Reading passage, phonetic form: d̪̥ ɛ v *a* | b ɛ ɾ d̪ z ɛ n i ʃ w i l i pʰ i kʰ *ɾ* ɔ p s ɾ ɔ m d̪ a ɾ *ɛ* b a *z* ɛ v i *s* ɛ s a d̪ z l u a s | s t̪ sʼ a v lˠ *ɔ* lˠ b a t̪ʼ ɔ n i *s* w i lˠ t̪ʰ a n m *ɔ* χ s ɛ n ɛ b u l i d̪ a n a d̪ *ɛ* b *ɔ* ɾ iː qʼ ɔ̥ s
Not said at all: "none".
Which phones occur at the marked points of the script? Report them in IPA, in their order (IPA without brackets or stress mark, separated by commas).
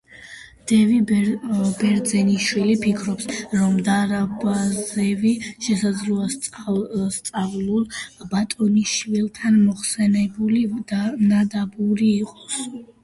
i, ɾ, a, z, ʃ, u, ʃ, ɔ, a, u